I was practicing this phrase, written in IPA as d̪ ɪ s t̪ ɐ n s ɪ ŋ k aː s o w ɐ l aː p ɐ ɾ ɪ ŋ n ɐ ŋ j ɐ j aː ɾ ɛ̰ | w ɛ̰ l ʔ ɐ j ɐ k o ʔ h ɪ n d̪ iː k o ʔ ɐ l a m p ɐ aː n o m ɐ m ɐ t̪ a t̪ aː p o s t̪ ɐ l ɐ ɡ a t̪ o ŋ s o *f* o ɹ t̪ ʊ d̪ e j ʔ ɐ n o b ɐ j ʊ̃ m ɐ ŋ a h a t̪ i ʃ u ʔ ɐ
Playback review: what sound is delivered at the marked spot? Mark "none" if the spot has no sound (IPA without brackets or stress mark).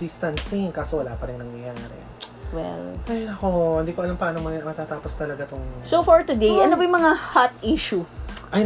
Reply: f